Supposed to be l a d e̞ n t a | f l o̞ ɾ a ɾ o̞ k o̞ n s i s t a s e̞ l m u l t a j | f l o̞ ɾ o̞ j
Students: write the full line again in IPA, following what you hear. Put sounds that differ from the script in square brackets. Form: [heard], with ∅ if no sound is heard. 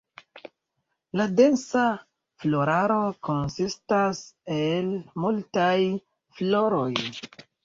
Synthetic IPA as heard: l a d e̞ n [s] a | f l o̞ ɾ a ɾ o̞ k o̞ n s i s t a s e̞ l m u l t a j | f l o̞ ɾ o̞ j